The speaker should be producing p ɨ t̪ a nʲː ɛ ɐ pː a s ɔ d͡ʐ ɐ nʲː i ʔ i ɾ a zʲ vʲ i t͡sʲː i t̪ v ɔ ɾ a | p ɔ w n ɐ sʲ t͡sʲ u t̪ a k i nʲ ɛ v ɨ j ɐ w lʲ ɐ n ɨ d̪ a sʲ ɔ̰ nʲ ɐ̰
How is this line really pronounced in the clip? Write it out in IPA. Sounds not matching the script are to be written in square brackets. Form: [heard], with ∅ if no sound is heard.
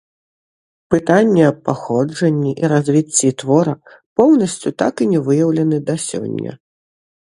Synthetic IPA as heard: p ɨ t̪ a nʲː ɛ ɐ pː a [x] ɔ d͡ʐ ɐ nʲː i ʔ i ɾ a zʲ vʲ i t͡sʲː i t̪ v ɔ ɾ [ɐ] | p ɔ w n ɐ sʲ t͡sʲ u t̪ a k i nʲ ɛ v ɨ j ɐ w lʲ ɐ n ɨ d̪ a sʲ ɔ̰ [nʲː] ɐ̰